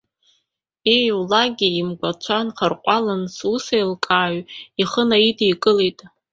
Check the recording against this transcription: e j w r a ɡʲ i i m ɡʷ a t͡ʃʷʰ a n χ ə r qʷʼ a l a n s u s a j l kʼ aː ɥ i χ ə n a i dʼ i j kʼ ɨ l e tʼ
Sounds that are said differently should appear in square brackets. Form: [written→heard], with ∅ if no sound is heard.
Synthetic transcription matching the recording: e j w [r→l] a ɡʲ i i m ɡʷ a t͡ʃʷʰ a n χ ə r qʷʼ a l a n s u s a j l kʼ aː ɥ i χ ə n a i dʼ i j kʼ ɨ l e tʼ

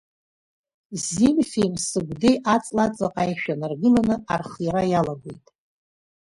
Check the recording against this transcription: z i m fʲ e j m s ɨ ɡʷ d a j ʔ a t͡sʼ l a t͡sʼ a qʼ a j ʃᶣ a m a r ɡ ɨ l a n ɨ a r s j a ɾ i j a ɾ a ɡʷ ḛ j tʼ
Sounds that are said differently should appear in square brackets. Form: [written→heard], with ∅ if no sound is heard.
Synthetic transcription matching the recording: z i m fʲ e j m s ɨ ɡʷ d [a→e] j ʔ a t͡sʼ l a t͡sʼ a qʼ a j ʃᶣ a [m→n] a r ɡ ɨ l a n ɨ a r [s→χ] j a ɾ [i→a] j a [ɾ→l] a ɡʷ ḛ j tʼ

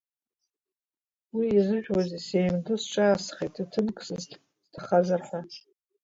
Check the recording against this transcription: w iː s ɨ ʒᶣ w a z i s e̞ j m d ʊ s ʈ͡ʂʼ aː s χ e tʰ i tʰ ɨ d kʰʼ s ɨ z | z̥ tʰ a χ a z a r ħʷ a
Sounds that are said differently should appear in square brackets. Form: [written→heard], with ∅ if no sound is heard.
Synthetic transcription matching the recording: w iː [s→z] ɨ ʒᶣ w a z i s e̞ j m d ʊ s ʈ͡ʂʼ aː s χ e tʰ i tʰ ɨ [d→n] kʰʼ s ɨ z | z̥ tʰ a χ a z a r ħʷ a

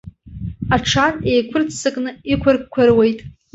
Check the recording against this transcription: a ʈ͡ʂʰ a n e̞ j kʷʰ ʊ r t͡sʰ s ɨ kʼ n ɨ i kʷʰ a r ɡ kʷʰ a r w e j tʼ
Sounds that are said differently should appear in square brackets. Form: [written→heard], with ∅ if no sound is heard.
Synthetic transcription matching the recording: a ʈ͡ʂʰ a n e̞ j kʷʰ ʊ r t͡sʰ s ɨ kʼ n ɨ i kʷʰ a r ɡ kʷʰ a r w e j tʼ

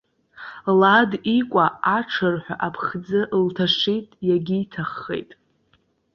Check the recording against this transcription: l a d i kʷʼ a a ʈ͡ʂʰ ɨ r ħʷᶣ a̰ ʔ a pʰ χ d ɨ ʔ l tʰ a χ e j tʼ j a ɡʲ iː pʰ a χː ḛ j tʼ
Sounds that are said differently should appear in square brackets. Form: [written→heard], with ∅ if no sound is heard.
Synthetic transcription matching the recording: l a d i kʷʼ a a ʈ͡ʂʰ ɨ r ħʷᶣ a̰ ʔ a pʰ χ [d→d͡z] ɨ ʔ l tʰ a [χ→ʂ] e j tʼ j a ɡʲ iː [pʰ→tʰ] a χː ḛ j tʼ

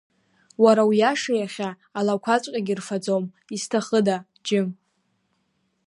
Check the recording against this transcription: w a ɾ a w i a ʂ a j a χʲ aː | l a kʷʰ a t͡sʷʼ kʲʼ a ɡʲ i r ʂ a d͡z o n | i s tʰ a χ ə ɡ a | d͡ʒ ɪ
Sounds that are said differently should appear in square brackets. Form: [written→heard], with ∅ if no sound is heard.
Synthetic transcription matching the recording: w a ɾ a w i a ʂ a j a χʲ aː | l a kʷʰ a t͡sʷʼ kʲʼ a ɡʲ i r [ʂ→f] a d͡z o [n→m] | i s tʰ a χ ə [ɡ→d] a | d͡ʒ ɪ

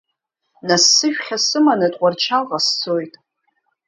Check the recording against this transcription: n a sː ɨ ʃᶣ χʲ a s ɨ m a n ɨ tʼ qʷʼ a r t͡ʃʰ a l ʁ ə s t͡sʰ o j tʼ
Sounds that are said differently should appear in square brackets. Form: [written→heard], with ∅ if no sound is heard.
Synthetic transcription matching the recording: n a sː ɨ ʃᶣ χʲ a s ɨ m a n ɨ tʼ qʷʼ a r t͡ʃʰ a l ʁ [ə→a] s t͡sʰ o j tʼ

